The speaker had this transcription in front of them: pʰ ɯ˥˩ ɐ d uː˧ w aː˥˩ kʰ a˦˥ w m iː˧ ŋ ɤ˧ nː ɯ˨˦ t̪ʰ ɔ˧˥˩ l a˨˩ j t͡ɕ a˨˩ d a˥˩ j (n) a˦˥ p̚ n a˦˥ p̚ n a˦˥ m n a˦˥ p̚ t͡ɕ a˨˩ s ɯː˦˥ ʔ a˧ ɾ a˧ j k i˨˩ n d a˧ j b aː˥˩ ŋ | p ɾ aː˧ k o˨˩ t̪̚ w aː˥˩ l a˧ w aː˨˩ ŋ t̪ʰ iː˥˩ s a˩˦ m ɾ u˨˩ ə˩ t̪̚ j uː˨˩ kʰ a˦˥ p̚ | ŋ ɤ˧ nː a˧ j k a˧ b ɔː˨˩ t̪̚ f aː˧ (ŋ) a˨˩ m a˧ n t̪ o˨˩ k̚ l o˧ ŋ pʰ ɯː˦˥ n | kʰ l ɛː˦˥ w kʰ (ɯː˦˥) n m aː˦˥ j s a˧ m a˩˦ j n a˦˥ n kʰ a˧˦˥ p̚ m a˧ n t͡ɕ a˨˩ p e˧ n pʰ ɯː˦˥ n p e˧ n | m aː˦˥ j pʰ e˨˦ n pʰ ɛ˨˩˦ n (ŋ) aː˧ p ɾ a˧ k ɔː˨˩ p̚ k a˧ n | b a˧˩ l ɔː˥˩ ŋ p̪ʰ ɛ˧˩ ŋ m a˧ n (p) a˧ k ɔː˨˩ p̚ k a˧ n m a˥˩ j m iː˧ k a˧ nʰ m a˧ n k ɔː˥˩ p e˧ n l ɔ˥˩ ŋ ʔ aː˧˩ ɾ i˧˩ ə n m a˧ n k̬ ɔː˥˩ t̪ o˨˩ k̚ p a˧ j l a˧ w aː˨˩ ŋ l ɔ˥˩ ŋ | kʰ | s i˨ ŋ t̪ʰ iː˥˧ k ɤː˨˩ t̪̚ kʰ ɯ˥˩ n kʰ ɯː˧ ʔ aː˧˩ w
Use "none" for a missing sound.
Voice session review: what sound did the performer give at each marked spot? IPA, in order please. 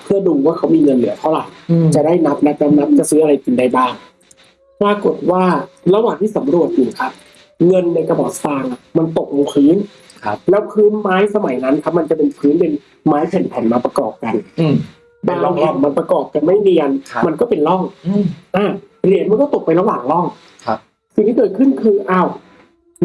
n, ŋ, ɯː˦˥, m, p

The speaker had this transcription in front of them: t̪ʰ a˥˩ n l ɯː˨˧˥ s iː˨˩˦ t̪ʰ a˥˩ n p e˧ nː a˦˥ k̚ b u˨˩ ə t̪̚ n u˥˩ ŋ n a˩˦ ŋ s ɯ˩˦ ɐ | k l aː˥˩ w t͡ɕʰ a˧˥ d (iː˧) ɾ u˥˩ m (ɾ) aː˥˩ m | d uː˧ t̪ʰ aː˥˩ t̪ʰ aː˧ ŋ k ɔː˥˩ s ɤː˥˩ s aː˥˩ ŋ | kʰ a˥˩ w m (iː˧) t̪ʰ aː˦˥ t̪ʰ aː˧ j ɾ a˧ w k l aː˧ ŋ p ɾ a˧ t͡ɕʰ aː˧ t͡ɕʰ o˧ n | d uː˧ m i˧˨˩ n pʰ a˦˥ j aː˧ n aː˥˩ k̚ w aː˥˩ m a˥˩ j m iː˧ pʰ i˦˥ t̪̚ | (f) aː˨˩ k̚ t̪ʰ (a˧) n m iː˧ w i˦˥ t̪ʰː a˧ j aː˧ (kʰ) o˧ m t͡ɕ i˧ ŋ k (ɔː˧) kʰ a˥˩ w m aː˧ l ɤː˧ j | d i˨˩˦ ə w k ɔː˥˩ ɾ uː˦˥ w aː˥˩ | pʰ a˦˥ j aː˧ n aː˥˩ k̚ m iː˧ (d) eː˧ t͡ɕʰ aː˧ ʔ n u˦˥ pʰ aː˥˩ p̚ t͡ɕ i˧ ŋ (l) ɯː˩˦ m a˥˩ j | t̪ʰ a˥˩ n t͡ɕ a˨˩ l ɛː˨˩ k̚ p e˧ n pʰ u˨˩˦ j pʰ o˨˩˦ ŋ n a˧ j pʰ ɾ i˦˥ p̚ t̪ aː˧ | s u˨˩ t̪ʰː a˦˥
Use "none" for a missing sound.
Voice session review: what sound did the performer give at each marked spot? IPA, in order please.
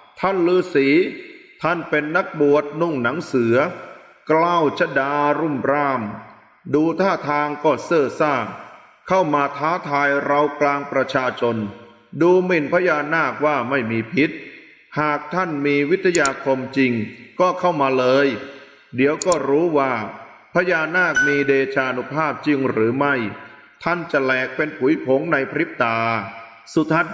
aː˧, ɾ, aː˧, h, a˥˩, kʰ, ɔː˥˩, d, ɾ

